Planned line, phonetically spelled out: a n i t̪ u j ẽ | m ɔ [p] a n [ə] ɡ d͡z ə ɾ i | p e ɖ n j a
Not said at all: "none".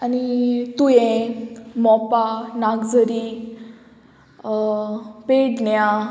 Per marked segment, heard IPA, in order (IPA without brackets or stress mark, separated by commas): p, a